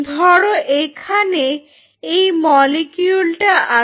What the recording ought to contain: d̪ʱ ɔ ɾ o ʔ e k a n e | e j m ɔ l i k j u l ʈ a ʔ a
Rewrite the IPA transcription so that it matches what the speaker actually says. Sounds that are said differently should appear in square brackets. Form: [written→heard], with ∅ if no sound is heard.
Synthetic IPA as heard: d̪ʱ ɔ [ɾ→ɽ] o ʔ e [k→kʰ] a n e | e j m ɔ l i k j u l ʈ a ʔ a